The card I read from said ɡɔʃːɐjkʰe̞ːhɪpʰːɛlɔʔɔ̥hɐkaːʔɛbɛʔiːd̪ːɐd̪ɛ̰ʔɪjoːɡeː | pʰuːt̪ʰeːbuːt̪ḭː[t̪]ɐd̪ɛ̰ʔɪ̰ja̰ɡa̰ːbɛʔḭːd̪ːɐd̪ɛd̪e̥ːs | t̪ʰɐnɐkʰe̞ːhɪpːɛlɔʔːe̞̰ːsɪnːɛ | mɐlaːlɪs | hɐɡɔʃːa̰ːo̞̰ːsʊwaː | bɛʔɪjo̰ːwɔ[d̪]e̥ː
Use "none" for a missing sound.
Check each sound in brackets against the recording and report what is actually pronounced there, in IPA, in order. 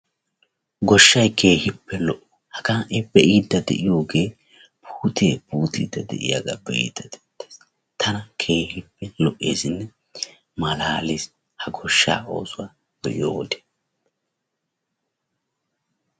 d̪, d̪

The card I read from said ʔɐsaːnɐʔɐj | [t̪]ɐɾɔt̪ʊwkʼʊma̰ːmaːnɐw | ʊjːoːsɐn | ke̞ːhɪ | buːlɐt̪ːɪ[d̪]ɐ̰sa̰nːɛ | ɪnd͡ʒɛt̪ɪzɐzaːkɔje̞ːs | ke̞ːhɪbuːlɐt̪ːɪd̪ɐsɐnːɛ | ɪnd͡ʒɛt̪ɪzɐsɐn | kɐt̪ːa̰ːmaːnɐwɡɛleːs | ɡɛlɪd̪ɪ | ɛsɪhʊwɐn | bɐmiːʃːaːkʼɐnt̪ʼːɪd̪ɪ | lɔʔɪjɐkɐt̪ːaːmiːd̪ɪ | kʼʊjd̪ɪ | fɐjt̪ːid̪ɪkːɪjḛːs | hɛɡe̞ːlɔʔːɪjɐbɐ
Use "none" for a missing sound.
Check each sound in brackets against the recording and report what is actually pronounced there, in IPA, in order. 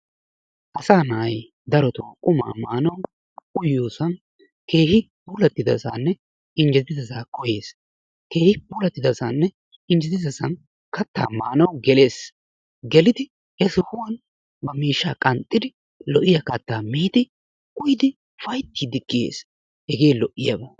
d̪, d̪

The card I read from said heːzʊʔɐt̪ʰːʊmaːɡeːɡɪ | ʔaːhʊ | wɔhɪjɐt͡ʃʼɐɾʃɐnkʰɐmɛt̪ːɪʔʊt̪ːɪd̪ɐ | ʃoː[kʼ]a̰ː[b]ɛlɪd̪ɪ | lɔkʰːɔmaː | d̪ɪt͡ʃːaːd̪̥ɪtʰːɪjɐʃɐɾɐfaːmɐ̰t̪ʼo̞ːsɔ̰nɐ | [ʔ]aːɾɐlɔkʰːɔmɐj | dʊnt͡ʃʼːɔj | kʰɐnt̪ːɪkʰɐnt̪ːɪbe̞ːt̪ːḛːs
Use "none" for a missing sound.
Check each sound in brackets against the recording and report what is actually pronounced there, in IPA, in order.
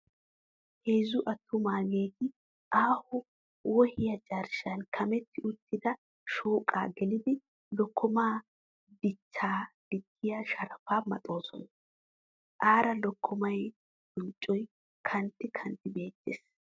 kʼ, ɡ, ʔ

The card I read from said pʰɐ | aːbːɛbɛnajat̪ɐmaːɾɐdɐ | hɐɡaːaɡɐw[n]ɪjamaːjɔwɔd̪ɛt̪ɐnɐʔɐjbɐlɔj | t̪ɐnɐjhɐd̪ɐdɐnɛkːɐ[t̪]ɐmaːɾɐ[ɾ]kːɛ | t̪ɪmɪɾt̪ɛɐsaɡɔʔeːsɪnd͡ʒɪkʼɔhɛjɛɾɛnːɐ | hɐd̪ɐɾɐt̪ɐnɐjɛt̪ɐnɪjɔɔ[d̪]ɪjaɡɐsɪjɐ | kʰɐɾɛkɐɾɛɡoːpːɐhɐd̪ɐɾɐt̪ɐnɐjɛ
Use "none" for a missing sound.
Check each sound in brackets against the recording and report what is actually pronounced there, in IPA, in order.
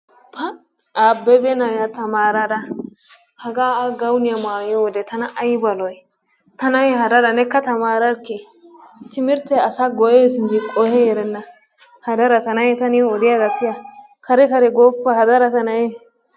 n, t̪, ɾ, d̪

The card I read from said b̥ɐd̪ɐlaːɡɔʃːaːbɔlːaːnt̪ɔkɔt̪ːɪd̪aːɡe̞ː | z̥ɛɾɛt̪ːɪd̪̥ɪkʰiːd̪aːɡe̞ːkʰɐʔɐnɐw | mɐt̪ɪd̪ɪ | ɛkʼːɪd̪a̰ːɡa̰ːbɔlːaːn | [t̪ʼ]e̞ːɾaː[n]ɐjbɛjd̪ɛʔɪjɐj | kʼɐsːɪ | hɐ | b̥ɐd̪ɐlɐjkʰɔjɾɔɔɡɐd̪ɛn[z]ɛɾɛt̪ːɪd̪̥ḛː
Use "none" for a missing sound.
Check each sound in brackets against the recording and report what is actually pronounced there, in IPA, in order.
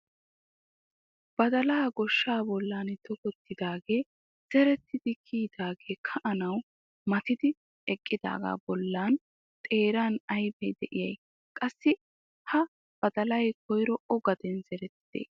t̪ʼ, n, z

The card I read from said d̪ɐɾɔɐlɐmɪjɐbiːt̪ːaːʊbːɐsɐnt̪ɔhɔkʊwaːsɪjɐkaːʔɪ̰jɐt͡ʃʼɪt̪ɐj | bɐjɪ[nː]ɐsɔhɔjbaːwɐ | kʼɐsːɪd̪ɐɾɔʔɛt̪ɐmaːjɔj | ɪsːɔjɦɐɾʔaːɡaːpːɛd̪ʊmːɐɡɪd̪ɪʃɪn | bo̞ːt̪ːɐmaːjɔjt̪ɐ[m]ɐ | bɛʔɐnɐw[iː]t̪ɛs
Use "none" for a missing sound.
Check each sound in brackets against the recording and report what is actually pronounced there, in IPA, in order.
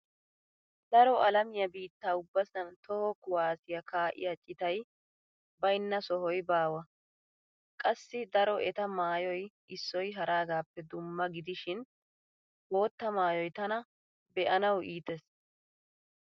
nː, n, iː

